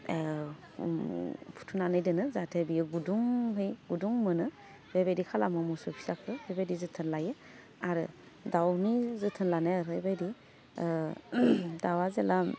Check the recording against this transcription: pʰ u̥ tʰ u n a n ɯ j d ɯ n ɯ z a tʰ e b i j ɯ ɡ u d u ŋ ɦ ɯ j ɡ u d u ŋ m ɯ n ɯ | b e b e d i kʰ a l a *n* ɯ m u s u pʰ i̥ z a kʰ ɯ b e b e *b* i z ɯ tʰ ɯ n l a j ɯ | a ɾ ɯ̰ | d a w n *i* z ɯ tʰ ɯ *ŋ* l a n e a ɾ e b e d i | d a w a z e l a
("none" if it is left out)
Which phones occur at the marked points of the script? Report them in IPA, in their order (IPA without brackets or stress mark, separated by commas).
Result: m, d, i, n